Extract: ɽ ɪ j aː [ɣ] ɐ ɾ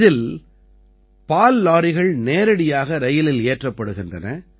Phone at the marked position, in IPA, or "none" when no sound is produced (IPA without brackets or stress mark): ɣ